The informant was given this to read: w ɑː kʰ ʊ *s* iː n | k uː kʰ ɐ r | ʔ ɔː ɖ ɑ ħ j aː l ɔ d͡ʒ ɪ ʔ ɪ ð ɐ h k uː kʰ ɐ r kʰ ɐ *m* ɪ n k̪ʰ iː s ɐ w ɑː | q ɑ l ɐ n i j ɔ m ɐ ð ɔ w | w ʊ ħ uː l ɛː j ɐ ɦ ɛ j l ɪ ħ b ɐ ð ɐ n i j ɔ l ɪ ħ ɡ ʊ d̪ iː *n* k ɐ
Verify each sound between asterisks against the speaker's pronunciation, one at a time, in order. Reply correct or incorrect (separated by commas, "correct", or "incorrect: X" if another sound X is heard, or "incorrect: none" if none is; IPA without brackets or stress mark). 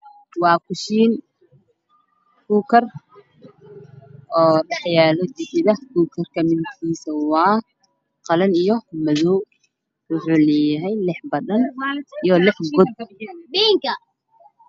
incorrect: ʃ, correct, incorrect: ŋ